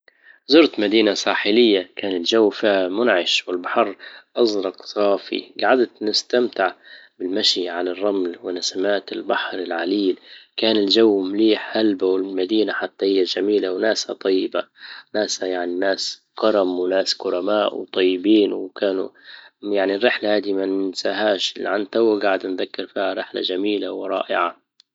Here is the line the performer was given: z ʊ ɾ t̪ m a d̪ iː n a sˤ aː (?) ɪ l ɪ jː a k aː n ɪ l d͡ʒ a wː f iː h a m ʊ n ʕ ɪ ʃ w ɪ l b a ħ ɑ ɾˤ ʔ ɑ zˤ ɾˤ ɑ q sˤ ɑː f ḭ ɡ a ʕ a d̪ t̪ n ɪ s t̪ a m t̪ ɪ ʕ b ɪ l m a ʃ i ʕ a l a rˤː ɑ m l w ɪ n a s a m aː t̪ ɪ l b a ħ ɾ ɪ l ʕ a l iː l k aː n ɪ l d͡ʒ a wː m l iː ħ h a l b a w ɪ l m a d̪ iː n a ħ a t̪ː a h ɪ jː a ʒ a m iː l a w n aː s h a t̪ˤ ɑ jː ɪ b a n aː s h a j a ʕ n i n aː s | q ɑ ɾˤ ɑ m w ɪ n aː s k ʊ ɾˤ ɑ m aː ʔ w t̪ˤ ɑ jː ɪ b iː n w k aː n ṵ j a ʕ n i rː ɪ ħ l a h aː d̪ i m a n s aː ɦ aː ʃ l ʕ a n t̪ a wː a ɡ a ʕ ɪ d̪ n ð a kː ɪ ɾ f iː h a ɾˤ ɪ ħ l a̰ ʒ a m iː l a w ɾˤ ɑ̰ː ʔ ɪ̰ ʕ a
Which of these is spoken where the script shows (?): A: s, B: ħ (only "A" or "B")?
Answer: B